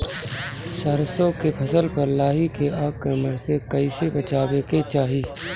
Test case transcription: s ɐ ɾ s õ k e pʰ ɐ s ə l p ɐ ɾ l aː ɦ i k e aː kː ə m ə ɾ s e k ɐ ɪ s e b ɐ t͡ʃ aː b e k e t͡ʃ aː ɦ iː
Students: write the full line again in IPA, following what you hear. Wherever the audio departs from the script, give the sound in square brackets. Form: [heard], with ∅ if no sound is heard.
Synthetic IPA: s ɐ ɾ s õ k e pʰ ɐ s ə l p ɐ ɾ l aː ɦ i k e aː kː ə m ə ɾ s e k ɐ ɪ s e b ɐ t͡ʃ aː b e k e t͡ʃ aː ɦ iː